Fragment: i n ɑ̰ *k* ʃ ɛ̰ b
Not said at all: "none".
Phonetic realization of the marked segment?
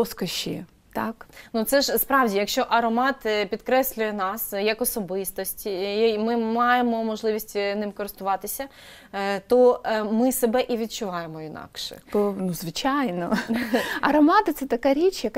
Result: k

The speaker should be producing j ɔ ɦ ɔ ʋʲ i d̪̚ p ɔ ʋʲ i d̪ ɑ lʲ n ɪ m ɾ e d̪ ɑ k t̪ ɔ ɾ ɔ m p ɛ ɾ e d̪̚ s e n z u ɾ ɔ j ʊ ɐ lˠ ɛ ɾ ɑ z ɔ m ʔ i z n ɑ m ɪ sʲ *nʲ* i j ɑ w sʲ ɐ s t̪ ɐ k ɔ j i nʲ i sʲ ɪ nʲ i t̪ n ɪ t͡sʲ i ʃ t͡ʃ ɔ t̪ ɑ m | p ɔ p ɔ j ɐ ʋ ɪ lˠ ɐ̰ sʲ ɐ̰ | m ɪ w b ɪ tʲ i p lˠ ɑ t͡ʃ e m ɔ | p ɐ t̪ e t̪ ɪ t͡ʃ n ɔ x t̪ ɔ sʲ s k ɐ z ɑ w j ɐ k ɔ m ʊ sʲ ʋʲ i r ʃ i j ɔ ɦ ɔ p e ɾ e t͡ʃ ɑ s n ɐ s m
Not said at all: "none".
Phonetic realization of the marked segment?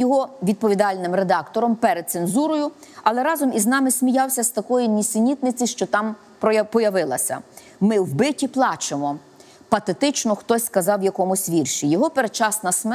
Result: mʲ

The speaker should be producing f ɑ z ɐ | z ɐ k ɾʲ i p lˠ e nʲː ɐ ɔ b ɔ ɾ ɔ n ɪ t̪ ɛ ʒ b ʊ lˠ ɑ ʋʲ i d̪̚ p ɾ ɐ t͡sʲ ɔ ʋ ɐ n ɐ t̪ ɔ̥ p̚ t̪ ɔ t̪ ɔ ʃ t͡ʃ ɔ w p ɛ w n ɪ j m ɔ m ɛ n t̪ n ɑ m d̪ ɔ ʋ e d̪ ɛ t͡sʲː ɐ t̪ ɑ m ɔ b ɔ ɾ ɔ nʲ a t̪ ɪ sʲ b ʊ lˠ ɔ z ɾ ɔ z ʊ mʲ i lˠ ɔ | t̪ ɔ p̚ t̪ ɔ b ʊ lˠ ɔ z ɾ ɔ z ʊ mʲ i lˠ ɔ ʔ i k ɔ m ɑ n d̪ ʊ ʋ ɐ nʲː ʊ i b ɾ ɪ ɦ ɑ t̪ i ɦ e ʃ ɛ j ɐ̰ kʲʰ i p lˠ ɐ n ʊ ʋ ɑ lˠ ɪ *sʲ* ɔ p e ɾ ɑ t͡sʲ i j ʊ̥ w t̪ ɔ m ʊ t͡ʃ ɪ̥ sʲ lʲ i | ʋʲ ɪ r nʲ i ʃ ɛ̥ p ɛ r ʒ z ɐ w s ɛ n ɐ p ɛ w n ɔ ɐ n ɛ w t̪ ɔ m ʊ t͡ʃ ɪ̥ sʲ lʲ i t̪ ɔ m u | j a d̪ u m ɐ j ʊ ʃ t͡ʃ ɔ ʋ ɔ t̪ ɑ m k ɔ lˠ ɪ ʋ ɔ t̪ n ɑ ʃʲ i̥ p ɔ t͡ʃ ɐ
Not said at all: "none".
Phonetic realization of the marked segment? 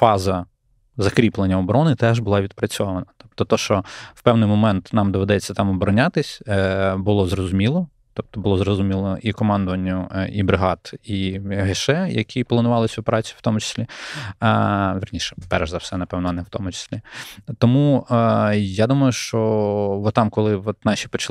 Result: sʲ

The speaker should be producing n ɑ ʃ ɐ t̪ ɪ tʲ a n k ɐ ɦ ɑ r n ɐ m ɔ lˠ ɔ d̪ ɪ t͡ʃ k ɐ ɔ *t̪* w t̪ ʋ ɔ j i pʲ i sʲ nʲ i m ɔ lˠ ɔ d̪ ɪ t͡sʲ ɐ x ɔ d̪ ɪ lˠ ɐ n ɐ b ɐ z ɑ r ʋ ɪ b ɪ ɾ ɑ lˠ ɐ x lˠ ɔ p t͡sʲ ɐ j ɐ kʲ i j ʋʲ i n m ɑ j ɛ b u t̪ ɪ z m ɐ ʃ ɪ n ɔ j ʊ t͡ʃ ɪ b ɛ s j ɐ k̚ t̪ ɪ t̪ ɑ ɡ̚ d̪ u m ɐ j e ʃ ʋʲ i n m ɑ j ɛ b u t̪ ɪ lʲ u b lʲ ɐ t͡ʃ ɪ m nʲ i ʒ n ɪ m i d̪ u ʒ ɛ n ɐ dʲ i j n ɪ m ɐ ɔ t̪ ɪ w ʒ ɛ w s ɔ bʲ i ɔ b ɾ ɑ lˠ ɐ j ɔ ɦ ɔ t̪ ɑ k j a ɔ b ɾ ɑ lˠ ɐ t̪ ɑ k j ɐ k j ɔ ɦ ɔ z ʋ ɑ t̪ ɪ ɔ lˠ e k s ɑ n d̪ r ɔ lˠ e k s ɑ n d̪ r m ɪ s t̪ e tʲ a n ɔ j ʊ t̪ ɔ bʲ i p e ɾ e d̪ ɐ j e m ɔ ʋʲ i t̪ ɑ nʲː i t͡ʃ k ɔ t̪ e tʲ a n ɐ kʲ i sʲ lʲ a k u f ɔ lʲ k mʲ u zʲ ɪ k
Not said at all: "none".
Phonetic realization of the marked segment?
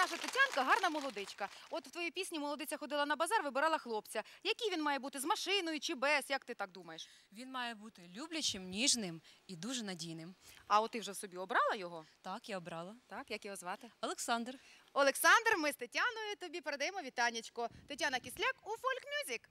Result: t̪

